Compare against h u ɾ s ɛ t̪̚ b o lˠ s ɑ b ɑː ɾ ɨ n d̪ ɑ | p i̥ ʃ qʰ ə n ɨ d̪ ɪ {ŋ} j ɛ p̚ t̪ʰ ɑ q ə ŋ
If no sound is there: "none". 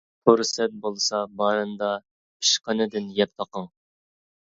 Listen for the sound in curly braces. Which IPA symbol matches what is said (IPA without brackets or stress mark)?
n